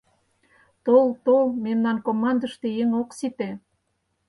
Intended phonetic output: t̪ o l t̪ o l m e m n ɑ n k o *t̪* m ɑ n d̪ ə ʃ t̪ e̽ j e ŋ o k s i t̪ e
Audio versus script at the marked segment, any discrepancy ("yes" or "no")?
yes